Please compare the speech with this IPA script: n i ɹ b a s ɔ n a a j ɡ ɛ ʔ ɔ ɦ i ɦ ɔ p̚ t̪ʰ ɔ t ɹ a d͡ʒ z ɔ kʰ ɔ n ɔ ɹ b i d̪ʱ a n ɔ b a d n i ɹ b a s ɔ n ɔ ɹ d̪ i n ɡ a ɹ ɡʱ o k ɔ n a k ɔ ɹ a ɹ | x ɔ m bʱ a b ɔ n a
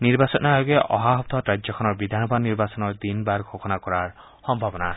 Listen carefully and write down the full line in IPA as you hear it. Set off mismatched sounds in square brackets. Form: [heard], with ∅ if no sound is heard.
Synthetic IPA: n i ɹ b a s ɔ n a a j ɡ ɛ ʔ ɔ ɦ [a] ɦ ɔ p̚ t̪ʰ ɔ t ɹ a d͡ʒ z ɔ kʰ ɔ n ɔ ɹ b i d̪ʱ a n ɔ b a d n i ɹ b a s ɔ n ɔ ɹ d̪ i n [b] a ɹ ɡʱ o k ɔ n a k ɔ ɹ a ɹ | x ɔ m bʱ a b ɔ n a